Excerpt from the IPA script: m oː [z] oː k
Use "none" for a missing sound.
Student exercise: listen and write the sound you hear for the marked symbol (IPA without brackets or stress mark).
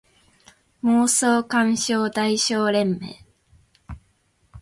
s